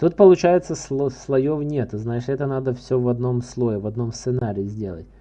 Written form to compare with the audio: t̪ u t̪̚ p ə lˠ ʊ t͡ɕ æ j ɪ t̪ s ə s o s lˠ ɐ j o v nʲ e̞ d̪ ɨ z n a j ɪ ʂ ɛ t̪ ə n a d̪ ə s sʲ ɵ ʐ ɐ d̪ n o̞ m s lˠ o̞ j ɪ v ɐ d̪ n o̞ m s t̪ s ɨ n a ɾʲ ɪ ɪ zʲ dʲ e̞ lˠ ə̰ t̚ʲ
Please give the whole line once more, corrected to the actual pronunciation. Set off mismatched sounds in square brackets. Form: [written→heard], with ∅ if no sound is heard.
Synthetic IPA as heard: t̪ u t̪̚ p ə lˠ ʊ t͡ɕ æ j ɪ t̪ s ə s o s lˠ ɐ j o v nʲ e̞ [d̪→t̪] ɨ z n a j ɪ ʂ ɛ t̪ ə n a d̪ ə [s→f] sʲ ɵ [ʐ→v] ɐ d̪ n o̞ m s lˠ o̞ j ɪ v ɐ d̪ n o̞ m s t̪ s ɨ n a ɾʲ ɪ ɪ zʲ dʲ e̞ lˠ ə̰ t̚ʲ